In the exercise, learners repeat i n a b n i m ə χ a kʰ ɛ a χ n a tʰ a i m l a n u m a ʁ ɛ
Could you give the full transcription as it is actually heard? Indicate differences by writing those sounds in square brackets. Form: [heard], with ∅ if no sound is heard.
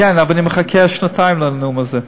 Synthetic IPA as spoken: [ɛ] n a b n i m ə χ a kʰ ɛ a [ʃ] n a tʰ a [ɪ] m l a n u m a [z] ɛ